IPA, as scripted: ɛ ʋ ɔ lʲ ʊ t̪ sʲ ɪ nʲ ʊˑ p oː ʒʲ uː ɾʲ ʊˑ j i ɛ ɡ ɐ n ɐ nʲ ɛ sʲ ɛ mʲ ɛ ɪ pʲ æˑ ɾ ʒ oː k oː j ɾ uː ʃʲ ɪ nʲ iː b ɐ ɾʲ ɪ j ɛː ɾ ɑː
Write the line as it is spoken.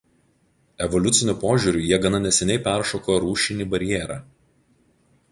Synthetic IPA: ɛ ʋ ɔ lʲ ʊ t̪ sʲ ɪ nʲ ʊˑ p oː ʒʲ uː ɾʲ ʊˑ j i ɛ ɡ ɐ n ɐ nʲ ɛ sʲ ɛ nʲ ɛ ɪ pʲ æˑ ɾ ʃ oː k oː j ɾ uː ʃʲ ɪ nʲ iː b ɐ ɾʲ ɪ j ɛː ɾ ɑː